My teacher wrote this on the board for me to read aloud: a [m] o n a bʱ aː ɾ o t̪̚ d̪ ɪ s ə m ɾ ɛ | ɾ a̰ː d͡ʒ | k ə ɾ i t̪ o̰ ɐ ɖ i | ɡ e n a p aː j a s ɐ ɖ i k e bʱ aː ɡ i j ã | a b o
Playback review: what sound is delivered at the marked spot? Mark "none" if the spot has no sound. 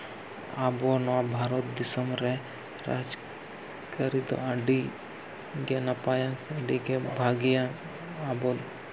b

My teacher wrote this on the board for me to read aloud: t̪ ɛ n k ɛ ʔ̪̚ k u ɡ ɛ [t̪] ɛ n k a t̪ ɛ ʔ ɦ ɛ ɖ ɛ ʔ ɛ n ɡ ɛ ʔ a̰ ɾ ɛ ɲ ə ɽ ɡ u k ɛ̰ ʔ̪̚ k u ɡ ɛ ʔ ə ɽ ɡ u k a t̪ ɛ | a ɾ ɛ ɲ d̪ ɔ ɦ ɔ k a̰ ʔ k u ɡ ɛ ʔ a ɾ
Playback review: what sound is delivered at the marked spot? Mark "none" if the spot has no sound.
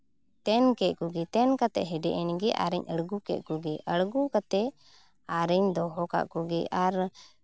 t̪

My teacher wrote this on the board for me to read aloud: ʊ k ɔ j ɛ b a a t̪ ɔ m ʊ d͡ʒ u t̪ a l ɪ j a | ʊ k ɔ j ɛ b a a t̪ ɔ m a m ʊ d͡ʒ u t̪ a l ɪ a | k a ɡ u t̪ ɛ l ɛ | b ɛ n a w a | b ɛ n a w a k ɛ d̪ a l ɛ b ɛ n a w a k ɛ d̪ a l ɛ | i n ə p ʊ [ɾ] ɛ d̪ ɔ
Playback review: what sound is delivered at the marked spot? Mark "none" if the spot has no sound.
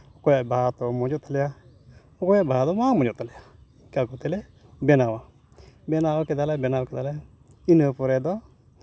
ɾ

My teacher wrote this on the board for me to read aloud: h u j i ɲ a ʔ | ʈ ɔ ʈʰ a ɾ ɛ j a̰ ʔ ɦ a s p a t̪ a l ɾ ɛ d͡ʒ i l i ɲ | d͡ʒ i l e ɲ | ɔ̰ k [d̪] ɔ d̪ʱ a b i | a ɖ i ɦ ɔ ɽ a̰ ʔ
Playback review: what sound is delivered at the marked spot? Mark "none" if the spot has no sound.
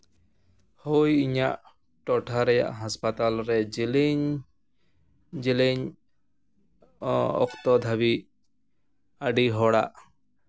t̪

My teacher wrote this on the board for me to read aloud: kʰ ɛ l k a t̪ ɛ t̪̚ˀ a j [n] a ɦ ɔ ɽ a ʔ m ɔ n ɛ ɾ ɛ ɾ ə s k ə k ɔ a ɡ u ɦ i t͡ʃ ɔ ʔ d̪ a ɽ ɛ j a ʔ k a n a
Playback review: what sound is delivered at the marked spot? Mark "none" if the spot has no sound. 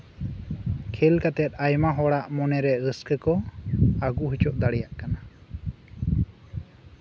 m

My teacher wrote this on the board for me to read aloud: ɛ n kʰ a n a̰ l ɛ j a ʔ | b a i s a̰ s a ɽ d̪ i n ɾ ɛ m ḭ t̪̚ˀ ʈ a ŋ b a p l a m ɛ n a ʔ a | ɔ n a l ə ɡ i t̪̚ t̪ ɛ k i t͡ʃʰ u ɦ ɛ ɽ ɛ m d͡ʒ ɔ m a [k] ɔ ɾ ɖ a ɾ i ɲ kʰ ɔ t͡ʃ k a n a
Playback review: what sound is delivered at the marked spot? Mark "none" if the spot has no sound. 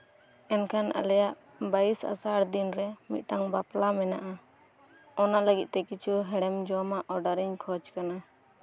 ʔ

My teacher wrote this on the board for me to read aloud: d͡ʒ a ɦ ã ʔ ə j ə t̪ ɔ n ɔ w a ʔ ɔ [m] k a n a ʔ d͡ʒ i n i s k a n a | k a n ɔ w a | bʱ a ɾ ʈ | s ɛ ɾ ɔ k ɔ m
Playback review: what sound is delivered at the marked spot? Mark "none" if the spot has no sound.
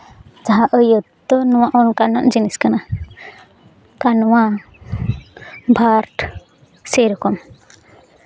n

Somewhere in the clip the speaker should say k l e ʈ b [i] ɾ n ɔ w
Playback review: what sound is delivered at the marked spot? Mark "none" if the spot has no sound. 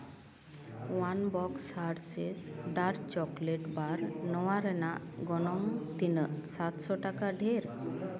a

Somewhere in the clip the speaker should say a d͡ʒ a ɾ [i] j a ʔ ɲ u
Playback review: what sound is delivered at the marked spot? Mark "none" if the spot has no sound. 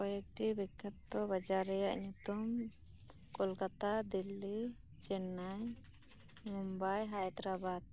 ɛ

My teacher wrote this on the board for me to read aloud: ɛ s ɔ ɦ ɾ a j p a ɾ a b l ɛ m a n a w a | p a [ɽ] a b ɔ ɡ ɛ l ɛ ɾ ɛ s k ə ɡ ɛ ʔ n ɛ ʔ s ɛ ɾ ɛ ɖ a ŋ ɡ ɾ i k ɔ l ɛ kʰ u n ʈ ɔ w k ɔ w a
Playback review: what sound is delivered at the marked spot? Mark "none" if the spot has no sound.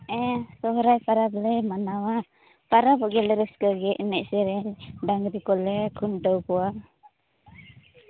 ɾ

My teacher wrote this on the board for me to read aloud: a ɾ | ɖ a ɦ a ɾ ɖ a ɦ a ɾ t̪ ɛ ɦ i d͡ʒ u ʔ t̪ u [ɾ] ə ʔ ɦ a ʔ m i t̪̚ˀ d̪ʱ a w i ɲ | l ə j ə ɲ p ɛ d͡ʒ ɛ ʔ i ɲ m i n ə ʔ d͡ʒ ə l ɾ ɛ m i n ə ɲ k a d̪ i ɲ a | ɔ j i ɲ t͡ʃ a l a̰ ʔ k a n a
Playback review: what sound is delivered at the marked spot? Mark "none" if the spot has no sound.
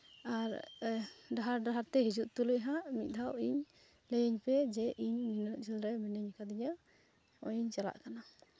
l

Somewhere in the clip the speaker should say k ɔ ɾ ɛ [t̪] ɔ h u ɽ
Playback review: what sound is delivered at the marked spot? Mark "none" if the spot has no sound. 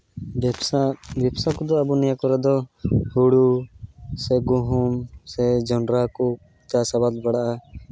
d̪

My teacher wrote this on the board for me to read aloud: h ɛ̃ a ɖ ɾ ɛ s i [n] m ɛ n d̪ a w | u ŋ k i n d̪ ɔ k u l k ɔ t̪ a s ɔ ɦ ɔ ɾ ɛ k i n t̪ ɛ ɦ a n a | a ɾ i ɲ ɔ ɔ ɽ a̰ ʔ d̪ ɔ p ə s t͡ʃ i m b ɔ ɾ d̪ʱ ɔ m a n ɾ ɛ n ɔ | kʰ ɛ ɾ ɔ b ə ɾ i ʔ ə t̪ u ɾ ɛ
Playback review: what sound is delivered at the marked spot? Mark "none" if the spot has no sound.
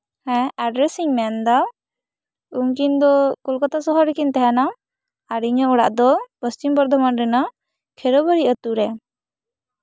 ŋ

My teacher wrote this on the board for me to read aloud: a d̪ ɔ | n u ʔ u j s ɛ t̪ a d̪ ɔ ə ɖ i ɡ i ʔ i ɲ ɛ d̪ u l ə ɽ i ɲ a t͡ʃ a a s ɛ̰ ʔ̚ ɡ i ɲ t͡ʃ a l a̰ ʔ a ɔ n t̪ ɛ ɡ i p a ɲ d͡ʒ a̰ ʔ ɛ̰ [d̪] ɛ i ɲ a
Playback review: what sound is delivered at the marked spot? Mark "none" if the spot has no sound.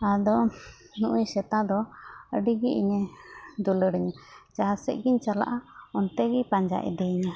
d̪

